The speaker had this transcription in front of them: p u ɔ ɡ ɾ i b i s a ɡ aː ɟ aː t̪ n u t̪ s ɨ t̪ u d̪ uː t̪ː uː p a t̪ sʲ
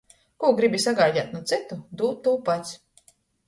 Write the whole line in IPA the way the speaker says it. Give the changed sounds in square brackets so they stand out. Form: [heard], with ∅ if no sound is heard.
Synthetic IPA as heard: [k] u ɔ ɡ ɾ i b i s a ɡ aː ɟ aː t̪ n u t̪ s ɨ t̪ u d̪ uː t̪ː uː p a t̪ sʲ